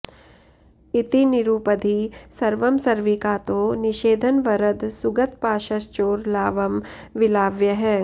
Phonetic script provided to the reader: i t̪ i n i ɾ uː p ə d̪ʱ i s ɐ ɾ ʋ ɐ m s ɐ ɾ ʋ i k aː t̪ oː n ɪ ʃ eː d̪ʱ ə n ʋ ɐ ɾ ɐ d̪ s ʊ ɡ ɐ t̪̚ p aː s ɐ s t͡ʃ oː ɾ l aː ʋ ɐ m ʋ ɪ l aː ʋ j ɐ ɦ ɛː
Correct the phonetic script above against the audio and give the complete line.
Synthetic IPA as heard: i t̪ i n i ɾ uː p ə d̪ʱ i s ɐ ɾ ʋ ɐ m s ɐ ɾ ʋ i k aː t̪ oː n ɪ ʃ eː d̪ʱ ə n ʋ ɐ ɾ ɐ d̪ s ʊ ɡ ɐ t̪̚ p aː ʃ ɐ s t͡ʃ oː ɾ l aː ʋ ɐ m ʋ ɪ l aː ʋ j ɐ ɦ ɛː